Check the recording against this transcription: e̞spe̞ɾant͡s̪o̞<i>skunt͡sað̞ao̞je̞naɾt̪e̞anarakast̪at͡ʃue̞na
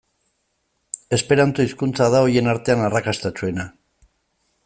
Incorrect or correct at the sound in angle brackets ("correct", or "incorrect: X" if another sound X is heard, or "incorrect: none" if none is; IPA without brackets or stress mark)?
correct